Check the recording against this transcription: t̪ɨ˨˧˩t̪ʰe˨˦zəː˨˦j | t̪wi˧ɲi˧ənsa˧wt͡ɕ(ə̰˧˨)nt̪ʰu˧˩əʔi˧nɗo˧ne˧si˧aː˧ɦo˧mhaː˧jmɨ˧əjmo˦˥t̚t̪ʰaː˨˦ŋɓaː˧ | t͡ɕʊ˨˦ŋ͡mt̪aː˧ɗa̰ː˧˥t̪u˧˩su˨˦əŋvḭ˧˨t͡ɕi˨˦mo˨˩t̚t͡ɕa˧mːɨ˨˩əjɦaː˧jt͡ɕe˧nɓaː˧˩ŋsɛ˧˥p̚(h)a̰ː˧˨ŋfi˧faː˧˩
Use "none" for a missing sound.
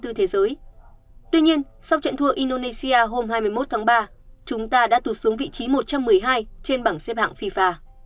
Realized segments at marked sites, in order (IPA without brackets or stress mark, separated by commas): ə̰˧˨, h